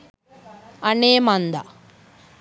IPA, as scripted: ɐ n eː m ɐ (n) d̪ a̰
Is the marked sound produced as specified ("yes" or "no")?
yes